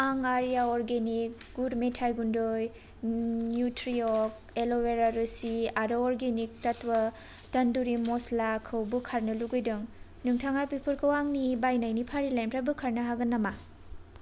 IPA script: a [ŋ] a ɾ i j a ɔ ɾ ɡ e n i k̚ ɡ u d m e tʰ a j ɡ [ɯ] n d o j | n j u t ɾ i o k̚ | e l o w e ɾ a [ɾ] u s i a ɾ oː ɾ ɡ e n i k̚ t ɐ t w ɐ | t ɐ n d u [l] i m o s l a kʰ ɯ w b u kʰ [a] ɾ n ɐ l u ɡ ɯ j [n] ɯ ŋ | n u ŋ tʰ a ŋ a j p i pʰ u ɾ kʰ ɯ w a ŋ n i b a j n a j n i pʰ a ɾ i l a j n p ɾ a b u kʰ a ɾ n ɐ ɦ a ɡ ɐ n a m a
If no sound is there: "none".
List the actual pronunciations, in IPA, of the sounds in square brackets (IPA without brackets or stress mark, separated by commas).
ŋ, u, ɾ, ɾ, a, d